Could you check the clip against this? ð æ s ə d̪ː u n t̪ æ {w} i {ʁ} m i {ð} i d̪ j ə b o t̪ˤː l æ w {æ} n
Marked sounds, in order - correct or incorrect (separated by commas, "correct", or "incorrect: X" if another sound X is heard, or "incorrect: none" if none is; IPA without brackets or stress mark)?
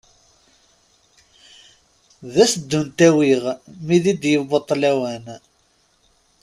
correct, correct, correct, correct